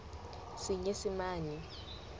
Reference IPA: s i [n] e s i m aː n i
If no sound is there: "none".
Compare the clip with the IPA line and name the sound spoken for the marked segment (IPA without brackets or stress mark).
ɲ